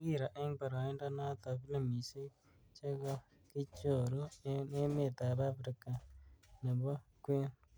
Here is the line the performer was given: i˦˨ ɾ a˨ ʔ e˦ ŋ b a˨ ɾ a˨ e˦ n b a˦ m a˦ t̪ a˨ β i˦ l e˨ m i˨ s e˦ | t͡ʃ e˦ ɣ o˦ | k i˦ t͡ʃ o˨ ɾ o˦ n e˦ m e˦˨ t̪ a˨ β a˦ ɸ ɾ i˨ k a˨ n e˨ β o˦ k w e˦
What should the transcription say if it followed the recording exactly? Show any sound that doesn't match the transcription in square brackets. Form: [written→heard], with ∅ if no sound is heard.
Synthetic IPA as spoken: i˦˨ ɾ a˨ ʔ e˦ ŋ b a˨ ɾ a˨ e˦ n [b→d] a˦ [m→n] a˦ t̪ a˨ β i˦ l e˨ m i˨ s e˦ | t͡ʃ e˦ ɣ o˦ | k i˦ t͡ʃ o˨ ɾ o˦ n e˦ m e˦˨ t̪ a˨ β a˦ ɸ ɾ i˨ k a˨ n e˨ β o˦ k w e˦